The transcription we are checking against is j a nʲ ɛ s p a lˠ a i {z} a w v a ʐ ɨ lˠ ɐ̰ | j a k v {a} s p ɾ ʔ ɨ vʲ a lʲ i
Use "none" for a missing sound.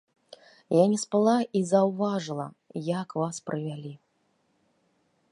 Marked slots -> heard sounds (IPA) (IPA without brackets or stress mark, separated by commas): z, a